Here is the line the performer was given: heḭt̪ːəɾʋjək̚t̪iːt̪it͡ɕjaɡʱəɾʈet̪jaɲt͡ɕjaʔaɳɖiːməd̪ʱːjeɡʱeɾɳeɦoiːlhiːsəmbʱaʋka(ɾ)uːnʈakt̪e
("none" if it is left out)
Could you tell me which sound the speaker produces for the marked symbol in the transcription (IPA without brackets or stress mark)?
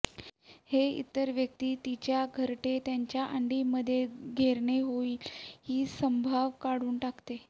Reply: ɽ